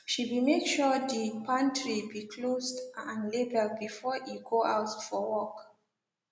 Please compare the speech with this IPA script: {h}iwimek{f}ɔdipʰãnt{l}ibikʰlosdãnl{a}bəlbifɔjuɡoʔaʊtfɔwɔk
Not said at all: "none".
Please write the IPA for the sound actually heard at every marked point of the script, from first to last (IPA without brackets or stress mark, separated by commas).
ʃ, ʃ, ɹ, e